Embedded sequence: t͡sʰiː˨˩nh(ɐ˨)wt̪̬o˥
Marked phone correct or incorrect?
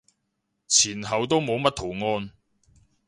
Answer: correct